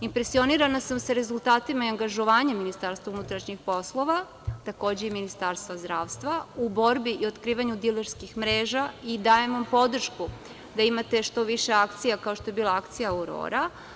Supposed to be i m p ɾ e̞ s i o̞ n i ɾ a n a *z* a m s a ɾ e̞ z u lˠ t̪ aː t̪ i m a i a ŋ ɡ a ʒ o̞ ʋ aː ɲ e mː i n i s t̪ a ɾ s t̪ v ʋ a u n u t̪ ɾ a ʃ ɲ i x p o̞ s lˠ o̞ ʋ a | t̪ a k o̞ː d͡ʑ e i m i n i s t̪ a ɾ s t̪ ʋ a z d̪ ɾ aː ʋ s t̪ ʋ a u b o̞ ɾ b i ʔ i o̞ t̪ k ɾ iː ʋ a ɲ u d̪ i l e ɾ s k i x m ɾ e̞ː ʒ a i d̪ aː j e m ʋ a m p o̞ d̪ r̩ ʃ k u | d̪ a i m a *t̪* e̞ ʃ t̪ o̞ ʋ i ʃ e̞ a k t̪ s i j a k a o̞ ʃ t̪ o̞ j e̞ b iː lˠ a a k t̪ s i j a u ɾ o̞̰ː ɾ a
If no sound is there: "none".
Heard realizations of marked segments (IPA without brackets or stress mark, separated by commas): s, t̪